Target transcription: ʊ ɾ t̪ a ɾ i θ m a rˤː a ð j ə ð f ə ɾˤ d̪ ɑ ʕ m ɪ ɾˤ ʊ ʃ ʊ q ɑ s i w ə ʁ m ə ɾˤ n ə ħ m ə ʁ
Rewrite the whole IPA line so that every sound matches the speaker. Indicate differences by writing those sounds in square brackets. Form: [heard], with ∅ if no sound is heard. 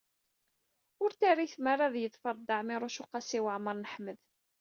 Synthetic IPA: ʊ ɾ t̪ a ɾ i θ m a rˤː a ð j ə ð f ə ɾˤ d̪ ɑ ʕ m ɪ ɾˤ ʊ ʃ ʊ q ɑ s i w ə [ʕ] m ə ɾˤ n ə ħ m ə [ð]